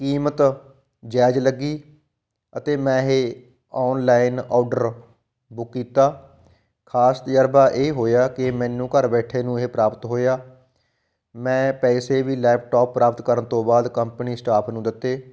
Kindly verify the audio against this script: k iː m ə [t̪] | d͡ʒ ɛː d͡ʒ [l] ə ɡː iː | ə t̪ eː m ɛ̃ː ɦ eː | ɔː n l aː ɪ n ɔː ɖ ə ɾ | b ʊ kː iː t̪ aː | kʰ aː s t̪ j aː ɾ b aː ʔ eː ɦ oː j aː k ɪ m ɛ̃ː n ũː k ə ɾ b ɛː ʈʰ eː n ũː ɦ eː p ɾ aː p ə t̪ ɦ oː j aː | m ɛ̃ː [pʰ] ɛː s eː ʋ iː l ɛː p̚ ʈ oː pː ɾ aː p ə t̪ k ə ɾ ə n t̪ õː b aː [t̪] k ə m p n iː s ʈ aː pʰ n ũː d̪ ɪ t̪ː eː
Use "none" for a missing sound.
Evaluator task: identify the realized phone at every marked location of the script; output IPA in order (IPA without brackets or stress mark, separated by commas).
t̪, l, p, d̪